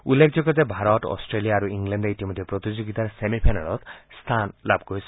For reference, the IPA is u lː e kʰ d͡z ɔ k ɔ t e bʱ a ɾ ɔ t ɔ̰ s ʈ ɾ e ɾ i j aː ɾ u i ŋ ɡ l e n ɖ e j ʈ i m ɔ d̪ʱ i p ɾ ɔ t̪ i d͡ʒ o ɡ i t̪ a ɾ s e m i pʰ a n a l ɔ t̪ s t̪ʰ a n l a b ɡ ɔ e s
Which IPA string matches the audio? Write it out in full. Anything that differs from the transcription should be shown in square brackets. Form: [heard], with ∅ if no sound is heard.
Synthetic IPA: u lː e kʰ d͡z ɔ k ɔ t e bʱ a ɾ ɔ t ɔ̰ s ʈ ɾ e [l] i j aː ɾ u i ŋ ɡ l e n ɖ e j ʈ i m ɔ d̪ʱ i p ɾ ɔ t̪ i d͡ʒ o ɡ i t̪ a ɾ s e m i pʰ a n a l ɔ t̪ s t̪ʰ a n l a b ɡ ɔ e s